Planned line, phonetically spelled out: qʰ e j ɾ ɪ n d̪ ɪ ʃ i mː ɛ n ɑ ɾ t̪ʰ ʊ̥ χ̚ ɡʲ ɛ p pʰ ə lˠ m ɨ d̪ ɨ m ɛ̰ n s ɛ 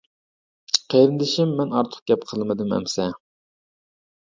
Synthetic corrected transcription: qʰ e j ɾ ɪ n d̪ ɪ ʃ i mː ɛ n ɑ ɾ t̪ʰ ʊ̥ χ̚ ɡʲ ɛ p qʰ ə lˠ m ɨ d̪ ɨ m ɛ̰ m s ɛ